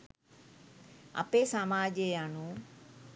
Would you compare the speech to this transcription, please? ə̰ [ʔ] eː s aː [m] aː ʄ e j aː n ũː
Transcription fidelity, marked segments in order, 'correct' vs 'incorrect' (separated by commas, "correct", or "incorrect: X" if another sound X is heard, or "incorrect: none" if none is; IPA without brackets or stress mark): incorrect: p, correct